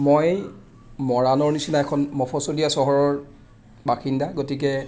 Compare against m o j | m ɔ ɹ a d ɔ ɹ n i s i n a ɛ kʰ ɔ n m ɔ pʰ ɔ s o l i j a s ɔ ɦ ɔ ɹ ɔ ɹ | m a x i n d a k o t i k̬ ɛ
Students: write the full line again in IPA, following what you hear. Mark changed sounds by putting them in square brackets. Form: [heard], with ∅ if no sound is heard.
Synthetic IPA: m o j | m ɔ ɹ a [n] ɔ ɹ n i s i n a ɛ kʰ ɔ n m ɔ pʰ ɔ s o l i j a s ɔ ɦ ɔ ɹ ɔ ɹ | [b] a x i n d a [ɡ] o t i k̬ ɛ